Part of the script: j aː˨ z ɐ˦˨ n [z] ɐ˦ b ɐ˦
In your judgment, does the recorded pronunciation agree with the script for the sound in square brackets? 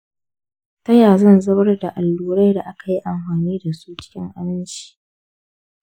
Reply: yes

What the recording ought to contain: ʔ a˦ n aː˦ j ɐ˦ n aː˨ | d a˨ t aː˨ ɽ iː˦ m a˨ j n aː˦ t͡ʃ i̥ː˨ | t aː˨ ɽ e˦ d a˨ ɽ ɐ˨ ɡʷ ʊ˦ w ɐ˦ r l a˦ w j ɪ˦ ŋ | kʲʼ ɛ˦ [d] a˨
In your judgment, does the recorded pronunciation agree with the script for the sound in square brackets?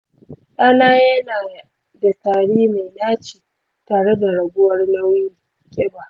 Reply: no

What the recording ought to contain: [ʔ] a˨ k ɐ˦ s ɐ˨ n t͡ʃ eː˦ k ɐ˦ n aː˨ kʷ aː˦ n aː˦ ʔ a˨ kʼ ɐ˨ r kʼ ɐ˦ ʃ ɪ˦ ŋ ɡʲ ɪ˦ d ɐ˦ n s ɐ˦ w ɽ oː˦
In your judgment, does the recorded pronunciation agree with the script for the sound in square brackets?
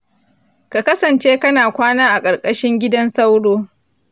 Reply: no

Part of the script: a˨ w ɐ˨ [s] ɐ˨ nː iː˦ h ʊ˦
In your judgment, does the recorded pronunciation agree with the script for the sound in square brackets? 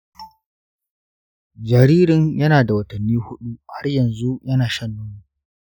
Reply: no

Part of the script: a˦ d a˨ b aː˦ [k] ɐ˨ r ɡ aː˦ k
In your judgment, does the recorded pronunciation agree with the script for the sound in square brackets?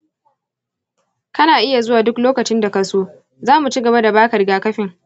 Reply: yes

